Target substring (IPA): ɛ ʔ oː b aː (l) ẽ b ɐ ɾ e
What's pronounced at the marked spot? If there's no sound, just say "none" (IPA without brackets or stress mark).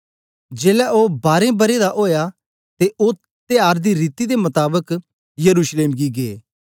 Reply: ɾ